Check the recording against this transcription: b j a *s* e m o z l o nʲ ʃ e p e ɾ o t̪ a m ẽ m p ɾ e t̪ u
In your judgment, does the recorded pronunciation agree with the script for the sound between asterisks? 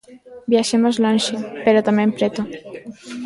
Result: no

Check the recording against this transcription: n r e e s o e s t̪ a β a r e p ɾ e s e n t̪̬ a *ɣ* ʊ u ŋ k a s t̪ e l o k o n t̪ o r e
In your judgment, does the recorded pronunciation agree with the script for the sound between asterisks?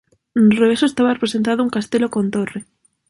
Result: no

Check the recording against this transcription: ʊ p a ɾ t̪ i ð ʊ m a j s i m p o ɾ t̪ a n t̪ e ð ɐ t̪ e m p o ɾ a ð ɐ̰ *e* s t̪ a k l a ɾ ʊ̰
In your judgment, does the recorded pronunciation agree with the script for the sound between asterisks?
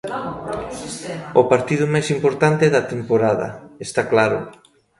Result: yes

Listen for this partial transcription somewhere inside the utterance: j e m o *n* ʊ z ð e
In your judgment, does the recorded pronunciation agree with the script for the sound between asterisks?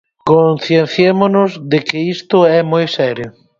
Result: yes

